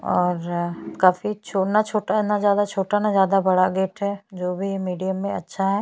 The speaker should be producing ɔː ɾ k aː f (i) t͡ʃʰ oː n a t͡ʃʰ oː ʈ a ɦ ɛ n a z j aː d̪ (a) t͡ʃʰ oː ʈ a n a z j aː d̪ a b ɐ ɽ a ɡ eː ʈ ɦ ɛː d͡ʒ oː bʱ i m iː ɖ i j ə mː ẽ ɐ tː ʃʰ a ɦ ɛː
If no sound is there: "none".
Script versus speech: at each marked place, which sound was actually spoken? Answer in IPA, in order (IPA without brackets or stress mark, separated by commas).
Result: i, a